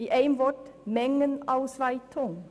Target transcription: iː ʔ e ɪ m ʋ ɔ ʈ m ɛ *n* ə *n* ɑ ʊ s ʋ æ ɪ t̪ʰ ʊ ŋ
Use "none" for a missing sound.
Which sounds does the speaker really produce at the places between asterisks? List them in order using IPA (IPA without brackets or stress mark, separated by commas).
ŋ, n